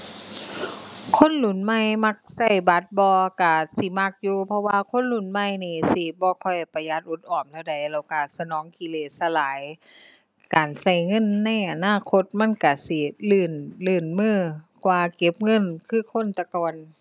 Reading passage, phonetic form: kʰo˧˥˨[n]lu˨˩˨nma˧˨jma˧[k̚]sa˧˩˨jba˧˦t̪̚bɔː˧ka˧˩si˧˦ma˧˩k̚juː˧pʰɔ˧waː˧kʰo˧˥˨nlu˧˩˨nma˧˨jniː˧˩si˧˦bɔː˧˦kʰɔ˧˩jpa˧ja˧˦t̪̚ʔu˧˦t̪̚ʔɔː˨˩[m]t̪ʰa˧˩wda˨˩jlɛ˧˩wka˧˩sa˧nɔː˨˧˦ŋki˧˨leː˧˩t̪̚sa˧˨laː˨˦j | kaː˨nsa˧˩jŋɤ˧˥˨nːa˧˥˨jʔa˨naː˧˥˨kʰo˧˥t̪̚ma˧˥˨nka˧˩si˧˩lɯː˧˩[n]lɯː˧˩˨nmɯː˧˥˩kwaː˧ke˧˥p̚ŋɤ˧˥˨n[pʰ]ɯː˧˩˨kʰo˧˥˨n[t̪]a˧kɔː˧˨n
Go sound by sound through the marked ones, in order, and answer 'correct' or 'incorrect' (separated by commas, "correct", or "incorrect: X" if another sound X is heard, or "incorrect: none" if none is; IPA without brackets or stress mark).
correct, correct, correct, correct, incorrect: kʰ, correct